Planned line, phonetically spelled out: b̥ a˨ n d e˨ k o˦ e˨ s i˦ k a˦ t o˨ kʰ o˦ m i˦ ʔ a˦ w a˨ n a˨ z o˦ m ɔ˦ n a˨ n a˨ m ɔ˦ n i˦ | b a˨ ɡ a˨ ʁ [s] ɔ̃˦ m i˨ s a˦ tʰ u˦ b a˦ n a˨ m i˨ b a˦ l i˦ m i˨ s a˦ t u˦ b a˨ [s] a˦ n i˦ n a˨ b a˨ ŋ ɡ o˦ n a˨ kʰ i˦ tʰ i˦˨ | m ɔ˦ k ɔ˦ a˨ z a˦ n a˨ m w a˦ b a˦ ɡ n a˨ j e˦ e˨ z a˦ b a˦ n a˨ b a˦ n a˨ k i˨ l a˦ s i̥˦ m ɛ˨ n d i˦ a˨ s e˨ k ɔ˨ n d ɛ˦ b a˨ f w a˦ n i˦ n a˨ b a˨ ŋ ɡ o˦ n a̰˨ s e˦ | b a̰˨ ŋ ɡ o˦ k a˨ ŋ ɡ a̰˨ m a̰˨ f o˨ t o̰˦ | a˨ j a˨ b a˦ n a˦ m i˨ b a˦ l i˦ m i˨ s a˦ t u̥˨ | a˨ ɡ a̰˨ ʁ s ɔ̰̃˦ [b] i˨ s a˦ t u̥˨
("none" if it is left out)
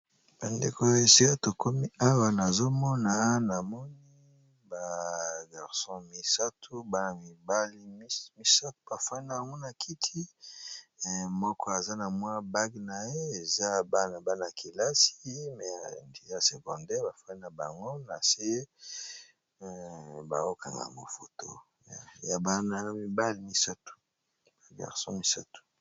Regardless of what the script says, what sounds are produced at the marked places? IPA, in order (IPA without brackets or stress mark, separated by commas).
s, f, m